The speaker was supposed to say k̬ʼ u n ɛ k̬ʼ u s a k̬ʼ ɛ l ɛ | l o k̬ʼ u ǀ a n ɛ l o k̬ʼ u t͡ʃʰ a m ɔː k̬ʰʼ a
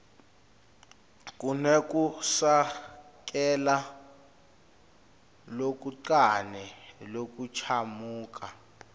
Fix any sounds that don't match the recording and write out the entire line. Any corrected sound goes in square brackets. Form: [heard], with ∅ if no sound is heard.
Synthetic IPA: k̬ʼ u n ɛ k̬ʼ u s a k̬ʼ ɛ l [a] | l o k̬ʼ u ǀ a n ɛ l o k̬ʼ u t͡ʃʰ a m [uː] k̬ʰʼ a